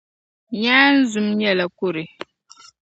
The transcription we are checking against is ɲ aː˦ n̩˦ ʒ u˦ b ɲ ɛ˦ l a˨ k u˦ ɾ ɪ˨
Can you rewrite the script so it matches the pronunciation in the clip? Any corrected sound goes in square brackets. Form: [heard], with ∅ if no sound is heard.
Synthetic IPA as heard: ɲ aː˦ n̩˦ [z] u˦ [m] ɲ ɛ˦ l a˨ k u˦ ɾ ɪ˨